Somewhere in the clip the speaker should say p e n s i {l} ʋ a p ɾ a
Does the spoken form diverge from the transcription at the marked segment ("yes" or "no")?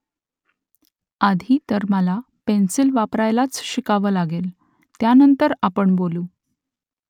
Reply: no